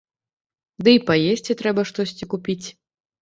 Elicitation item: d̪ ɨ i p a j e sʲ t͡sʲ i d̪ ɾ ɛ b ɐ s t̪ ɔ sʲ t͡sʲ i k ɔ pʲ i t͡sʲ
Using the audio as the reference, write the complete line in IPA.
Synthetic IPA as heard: d̪ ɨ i p a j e sʲ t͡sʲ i t̪ ɾ ɛ b ɐ ʂ t̪ ɔ sʲ t͡sʲ i k u pʲ i t͡sʲ